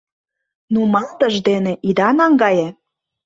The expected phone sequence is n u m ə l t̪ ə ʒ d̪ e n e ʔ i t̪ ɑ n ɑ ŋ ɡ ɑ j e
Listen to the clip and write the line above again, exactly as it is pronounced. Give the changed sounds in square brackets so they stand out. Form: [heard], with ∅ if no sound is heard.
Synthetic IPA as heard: n u m [ɑ] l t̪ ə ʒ d̪ e n e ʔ i [d̪] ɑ n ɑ ŋ ɡ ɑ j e